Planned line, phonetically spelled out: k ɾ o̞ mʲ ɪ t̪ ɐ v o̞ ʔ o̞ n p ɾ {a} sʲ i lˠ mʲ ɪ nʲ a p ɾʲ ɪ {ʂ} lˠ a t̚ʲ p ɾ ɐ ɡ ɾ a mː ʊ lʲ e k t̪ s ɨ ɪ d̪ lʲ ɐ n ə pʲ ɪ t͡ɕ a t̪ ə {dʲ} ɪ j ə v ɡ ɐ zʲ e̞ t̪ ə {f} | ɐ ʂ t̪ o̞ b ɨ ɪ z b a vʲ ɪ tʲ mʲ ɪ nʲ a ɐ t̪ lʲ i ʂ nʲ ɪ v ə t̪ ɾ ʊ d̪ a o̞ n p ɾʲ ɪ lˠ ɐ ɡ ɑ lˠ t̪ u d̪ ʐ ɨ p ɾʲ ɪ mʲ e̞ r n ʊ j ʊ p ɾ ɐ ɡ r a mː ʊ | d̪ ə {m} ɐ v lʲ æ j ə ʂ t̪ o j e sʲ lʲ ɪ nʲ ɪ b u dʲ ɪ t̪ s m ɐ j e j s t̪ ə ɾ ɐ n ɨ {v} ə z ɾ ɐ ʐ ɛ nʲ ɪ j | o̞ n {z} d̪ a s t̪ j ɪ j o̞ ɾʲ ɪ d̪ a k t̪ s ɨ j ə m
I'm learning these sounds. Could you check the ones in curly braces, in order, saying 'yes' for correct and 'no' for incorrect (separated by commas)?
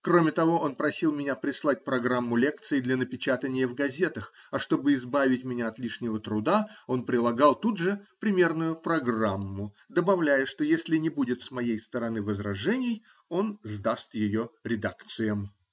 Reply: no, no, no, no, no, yes, yes